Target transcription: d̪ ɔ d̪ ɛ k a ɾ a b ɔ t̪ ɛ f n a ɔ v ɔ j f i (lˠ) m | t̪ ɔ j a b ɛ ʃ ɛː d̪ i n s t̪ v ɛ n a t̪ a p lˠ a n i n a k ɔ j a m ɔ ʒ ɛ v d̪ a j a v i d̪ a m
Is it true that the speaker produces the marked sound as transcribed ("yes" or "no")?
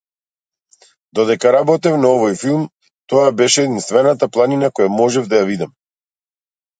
yes